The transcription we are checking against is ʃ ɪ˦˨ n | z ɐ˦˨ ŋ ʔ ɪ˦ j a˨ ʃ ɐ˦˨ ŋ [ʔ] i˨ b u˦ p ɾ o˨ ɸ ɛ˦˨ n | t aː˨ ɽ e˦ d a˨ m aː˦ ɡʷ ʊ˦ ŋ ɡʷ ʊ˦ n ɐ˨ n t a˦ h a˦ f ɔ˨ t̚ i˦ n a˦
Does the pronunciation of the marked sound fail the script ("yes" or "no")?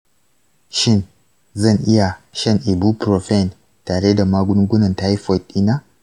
no